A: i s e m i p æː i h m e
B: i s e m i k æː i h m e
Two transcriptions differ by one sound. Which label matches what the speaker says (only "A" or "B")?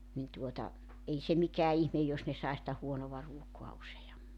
B